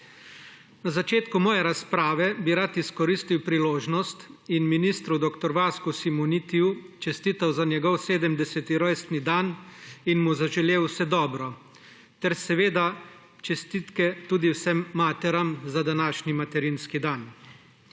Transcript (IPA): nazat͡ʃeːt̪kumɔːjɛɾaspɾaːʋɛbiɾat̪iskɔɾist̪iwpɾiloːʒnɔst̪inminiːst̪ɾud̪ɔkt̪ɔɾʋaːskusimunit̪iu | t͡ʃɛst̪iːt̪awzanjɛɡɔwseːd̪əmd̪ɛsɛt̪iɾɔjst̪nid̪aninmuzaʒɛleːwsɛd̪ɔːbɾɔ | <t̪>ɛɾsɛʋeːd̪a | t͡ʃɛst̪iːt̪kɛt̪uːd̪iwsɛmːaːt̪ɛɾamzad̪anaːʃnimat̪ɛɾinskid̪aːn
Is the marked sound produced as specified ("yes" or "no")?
yes